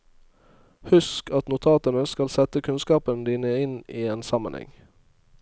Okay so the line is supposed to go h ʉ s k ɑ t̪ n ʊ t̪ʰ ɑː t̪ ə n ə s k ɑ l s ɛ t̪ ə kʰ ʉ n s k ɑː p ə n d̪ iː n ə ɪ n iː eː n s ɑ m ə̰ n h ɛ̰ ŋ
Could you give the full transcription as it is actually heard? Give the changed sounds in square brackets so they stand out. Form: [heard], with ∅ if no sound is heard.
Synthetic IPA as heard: h ʉ s k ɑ t̪ n ʊ t̪ʰ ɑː t̪ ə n ə s k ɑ l s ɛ t̪ ə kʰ ʉ n s k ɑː p ə n d̪ iː n ə ɪ n iː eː n s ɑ m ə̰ n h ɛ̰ ŋ

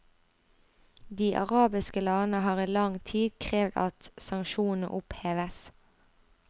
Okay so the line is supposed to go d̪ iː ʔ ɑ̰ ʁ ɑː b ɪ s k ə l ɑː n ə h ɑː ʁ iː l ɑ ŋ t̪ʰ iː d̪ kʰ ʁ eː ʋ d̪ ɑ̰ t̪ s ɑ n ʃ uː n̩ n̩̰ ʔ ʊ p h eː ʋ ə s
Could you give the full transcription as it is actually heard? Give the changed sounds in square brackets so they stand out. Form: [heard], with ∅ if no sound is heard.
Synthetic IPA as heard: d̪ iː ʔ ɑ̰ ʁ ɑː b ɪ s k ə l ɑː n ə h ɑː ʁ iː l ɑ ŋ t̪ʰ iː d̪ kʰ ʁ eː ʋ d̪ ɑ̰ t̪ s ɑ [ŋ] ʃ uː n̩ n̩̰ ʔ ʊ p h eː ʋ ə s

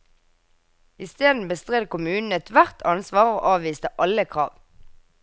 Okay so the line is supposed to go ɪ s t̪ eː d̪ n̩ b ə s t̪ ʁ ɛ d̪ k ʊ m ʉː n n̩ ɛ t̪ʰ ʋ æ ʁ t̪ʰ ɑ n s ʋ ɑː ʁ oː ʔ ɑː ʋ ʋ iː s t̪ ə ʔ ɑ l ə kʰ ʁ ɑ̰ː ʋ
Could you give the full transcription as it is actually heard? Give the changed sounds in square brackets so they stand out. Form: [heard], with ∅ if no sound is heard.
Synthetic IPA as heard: ɪ s t̪ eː d̪ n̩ b ə s t̪ ʁ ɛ d̪ k ʊ m ʉː n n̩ ɛ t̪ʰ ʋ æ ʁ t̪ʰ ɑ n s ʋ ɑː ʁ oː ʔ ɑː ʋ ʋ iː s t̪ ə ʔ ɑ l ə kʰ ʁ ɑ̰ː ʋ

